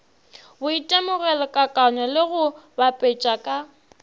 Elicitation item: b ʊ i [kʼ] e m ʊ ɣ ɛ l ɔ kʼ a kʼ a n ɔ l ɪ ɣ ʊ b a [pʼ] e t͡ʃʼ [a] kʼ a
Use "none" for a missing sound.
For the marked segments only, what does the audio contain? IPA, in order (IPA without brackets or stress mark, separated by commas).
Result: tʼ, pʼ, a